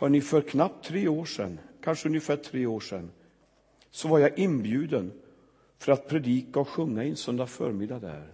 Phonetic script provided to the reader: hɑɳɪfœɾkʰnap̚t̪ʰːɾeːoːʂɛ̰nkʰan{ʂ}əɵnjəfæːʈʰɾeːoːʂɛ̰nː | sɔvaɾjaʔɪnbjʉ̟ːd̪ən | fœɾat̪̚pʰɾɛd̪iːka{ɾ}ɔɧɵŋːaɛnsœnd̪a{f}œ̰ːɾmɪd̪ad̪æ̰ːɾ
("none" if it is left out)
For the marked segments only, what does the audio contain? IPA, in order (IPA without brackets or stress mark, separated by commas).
ʂ, none, f